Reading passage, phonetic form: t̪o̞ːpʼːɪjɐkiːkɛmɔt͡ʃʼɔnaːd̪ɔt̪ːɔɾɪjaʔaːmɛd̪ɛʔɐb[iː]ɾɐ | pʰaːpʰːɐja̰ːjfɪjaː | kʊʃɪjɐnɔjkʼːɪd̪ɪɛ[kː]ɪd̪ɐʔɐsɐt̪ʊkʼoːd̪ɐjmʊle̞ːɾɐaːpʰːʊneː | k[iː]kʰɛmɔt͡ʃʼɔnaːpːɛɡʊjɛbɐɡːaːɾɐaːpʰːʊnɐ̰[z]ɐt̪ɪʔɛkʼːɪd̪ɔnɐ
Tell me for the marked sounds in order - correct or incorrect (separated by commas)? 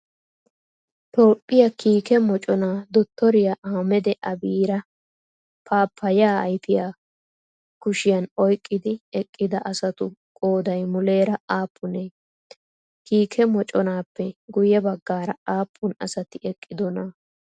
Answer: correct, incorrect, correct, incorrect